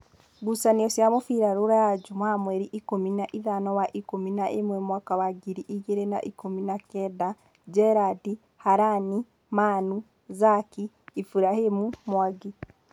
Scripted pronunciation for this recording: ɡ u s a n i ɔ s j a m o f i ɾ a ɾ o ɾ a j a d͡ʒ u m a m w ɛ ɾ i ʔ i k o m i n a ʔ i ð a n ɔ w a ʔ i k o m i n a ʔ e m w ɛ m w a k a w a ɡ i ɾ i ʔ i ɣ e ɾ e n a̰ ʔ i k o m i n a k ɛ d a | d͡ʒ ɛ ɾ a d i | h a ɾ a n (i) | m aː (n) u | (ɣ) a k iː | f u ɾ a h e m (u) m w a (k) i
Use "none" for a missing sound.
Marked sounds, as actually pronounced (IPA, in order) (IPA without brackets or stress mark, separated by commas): i, n, z, u, ɡ